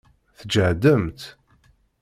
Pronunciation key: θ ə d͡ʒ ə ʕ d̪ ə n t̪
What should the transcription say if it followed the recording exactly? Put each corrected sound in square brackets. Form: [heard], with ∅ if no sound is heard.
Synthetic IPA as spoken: θ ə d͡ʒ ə ʕ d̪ ə [m] t̪